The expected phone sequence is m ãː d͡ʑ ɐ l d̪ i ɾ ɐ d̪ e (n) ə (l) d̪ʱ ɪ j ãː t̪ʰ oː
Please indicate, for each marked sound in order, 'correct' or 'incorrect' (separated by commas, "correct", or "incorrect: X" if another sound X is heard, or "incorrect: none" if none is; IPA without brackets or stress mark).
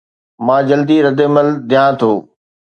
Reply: incorrect: m, correct